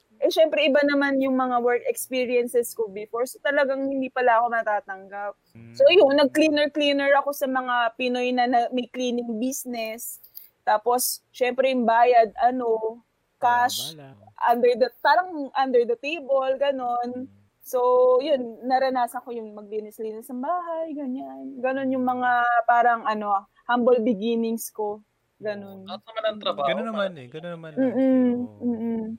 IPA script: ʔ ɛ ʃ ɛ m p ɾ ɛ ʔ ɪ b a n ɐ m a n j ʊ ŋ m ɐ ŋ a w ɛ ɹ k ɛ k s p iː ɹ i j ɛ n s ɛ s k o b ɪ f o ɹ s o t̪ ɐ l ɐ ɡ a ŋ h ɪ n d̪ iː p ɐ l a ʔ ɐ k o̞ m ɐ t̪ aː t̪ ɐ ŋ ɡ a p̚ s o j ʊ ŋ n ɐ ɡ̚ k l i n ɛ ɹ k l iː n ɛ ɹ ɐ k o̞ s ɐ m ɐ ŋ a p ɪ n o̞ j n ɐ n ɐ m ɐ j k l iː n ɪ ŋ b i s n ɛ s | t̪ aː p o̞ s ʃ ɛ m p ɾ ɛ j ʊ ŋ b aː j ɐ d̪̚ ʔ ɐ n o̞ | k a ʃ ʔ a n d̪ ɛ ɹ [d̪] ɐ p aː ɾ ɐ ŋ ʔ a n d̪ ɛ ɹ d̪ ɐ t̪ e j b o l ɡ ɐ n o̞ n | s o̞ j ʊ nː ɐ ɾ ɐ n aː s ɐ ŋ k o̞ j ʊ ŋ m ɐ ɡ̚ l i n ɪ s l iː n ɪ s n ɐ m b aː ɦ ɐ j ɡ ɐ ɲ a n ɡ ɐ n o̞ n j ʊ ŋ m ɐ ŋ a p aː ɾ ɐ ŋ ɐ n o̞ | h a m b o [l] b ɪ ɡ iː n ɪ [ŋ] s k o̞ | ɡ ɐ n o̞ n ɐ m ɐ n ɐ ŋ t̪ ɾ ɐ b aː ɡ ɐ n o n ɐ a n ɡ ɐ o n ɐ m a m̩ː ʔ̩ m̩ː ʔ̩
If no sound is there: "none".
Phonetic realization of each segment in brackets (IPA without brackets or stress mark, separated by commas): d̪, l, ŋ